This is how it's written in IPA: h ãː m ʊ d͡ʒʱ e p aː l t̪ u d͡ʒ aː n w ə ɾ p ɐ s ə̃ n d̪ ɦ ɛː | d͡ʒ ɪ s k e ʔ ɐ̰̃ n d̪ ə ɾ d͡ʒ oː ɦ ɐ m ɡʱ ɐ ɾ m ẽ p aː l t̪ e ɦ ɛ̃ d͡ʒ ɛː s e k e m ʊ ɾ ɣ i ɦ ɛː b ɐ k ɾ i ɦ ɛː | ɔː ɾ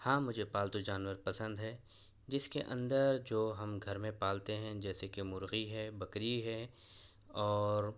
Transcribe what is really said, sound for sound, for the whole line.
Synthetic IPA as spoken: h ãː m ʊ d͡ʒʱ e p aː l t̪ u d͡ʒ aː n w ə ɾ p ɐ s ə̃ n d̪ ɦ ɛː | d͡ʒ ɪ s k e ʔ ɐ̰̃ n d̪ ə ɾ d͡ʒ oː ɦ ɐ m ɡʱ ɐ ɾ m ẽ p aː l t̪ e ɦ ɛ̃ d͡ʒ ɛː s e k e m ʊ ɾ ɣ i ɦ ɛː b ɐ k ɾ i ɦ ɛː | ɔː ɾ